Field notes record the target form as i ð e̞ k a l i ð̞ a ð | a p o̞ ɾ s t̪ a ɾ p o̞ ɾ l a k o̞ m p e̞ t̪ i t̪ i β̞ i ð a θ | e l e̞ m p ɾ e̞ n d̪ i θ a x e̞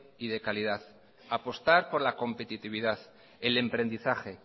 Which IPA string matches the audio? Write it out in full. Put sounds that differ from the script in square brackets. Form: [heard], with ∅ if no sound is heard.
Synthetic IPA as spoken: i ð e̞ k a l i ð̞ a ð | a p o̞ [∅] s t̪ a ɾ p o̞ ɾ l a k o̞ m p e̞ t̪ i t̪ i β̞ i ð a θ | e l e̞ m p ɾ e̞ n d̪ i θ a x e̞